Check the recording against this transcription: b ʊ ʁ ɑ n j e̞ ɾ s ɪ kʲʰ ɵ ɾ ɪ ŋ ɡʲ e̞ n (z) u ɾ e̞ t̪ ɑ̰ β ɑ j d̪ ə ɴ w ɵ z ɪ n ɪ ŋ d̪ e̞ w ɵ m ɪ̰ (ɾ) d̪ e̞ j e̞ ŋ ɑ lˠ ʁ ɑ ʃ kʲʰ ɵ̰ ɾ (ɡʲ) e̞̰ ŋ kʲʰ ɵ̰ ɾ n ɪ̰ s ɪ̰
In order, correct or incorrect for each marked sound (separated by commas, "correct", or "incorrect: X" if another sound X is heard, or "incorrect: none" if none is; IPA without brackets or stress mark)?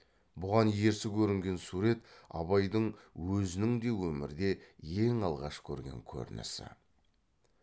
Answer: incorrect: s, correct, correct